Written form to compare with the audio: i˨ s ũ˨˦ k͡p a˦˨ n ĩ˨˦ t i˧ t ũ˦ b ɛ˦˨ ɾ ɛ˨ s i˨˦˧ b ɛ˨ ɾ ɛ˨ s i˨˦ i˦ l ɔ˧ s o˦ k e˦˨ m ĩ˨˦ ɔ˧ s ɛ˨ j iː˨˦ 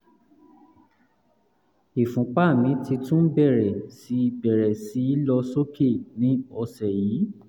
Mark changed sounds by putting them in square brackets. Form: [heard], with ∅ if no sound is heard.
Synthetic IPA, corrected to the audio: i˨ [f] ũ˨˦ k͡p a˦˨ [m] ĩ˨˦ t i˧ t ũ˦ b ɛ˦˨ ɾ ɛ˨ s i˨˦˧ b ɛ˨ ɾ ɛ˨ s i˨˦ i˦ l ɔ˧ s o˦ k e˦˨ [n] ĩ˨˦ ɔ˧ s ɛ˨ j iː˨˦